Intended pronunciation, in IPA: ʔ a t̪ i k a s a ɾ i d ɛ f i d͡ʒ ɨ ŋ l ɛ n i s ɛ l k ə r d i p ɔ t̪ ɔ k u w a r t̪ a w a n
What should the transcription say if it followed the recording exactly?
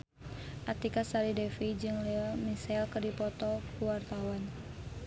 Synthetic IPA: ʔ a t̪ i k a s a ɾ i d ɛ f i d͡ʒ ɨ ŋ l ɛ m i s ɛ l k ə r d i p ɔ t̪ ɔ k u w a r t̪ a w a n

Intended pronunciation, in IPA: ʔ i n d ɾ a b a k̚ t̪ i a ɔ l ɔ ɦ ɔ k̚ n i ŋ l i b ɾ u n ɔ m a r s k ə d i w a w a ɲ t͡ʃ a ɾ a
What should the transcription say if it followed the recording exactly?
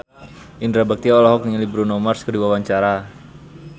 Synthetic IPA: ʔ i n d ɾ a b a k̚ t̪ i a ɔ l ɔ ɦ ɔ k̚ n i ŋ l i b ɾ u n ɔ m a r s k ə d i w a w a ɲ t͡ʃ a ɾ a

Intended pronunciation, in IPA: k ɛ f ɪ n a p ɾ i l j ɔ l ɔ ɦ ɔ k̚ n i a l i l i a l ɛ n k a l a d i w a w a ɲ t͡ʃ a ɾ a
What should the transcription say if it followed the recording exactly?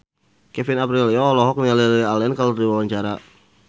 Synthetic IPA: k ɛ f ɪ n a p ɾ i l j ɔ l ɔ ɦ ɔ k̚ n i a l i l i a l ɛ n k a l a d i w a w a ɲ t͡ʃ a ɾ a

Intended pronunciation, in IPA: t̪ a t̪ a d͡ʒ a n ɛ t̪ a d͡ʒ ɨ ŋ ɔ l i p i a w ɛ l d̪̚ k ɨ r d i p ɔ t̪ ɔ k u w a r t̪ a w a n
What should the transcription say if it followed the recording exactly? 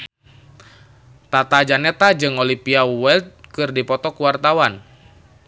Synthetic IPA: t̪ a t̪ a d͡ʒ a n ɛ t̪ a d͡ʒ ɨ ŋ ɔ l i p i a w ɛ l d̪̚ k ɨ r d i p ɔ t̪ ɔ k u w a r t̪ a w a n

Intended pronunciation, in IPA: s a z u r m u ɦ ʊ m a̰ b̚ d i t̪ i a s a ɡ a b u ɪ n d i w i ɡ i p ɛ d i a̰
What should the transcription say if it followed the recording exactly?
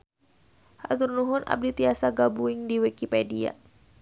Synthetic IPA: h a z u r n u ɦ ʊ n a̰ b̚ d i t̪ i a s a ɡ a b u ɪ ŋ d i w i k i p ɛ d i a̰

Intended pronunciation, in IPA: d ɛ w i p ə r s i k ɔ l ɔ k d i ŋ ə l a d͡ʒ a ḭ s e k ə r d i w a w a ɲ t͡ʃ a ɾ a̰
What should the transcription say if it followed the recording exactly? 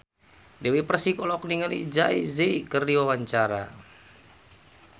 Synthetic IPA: d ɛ w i p ə r s i k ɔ l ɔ k n i ŋ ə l i d͡ʒ a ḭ z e k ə r d i w a w a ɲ t͡ʃ a ɾ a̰

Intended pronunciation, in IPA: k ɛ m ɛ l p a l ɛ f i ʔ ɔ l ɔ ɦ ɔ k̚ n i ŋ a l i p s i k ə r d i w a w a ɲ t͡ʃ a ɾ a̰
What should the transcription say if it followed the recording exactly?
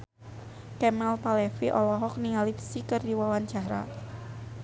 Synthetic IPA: k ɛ m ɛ l p a l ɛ f i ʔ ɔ l ɔ ɦ ɔ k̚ n i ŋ a l i p s i k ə r d i w a w a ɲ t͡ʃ a ɾ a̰

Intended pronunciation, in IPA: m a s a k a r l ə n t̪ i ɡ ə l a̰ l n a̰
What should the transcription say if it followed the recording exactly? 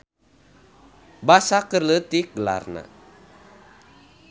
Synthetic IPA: b a s a k ə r l ə t̪ i ɡ ə l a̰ r n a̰

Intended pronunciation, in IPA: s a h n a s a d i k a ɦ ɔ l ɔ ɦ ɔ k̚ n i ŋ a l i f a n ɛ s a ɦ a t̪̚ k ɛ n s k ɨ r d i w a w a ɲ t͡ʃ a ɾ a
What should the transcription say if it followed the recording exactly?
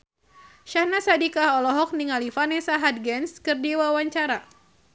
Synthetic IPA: ʃ a h n a s a d i k a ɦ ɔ l ɔ ɦ ɔ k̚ n i ŋ a l i f a n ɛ s a ɦ a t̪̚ ɡ ɛ n s k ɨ r d i w a w a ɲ t͡ʃ a ɾ a

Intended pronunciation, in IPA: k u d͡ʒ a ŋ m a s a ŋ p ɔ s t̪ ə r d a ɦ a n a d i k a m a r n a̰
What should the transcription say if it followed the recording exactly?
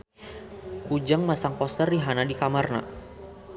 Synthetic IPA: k u d͡ʒ a ŋ m a s a ŋ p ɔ s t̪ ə r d i ɦ a n a d i k a m a r n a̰

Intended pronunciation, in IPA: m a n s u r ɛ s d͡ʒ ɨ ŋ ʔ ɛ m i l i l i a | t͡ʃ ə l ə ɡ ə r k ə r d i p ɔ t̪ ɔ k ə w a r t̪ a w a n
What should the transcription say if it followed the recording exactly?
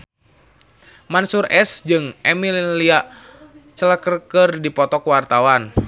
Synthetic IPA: m a n s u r ɛ s d͡ʒ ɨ ŋ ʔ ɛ m i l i l i a | t͡ʃ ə l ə k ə r k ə r d i p ɔ t̪ ɔ k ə w a r t̪ a w a n

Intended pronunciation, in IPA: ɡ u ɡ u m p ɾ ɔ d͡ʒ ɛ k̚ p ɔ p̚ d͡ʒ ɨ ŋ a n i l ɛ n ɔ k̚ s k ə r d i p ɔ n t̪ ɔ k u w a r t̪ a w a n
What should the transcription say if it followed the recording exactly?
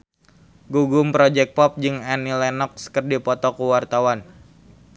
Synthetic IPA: ɡ u ɡ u m p ɾ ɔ d͡ʒ ɛ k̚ p ɔ p̚ d͡ʒ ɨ ŋ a n i l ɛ n ɔ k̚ s k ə r d i p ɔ t̪ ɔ k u w a r t̪ a w a n

